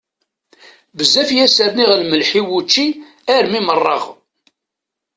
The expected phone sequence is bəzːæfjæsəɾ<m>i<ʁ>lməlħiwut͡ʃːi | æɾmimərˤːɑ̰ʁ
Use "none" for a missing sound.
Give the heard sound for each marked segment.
n, ʁ

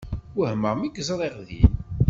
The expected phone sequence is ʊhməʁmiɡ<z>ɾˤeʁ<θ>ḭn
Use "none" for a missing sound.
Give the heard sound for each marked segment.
z, ð

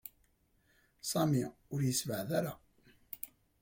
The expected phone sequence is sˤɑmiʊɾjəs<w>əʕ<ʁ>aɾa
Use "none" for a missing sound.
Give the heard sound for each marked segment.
v, ð

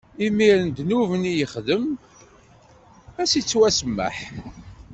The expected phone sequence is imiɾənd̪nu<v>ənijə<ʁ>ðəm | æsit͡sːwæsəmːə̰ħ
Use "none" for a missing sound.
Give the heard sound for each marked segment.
v, χ

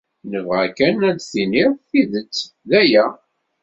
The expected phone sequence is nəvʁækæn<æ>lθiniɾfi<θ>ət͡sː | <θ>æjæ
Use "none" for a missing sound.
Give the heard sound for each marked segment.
æ, ð, ð

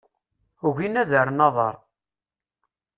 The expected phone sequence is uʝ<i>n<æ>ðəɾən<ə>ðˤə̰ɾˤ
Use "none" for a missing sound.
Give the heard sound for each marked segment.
i, æ, ɑ

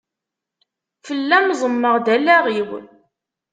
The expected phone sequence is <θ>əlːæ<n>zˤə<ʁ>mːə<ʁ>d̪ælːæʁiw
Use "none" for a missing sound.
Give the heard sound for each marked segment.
f, m, none, ʁ

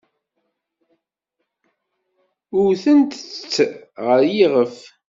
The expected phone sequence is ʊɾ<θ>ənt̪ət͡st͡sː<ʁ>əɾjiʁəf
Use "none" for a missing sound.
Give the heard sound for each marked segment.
θ, ʁ

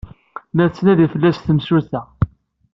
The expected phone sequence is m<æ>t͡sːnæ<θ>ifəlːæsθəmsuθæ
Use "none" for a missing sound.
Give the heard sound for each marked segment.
æ, ð

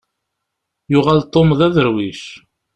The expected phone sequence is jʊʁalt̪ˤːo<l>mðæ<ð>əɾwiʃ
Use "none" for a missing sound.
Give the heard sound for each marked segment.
none, ð

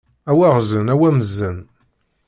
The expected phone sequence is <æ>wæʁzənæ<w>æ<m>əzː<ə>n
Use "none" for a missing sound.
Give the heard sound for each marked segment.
æ, w, m, ə

